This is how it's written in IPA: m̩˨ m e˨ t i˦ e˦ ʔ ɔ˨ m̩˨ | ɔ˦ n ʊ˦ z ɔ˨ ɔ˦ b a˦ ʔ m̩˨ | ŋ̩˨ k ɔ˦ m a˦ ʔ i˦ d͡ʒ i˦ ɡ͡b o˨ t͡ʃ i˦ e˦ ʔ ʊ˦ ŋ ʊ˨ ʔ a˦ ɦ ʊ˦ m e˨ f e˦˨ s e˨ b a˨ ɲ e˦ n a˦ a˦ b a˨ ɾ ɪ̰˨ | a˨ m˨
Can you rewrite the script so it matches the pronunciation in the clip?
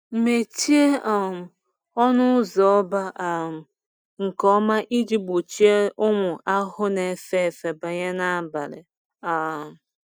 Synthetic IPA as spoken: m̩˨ m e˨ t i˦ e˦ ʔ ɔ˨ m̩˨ | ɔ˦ n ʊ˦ z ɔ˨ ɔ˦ b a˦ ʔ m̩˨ | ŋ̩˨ k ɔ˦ m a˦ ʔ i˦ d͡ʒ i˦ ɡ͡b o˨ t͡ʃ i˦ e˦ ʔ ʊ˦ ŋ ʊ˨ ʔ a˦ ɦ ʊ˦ n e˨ f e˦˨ f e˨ b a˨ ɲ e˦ n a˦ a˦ b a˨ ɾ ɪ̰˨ | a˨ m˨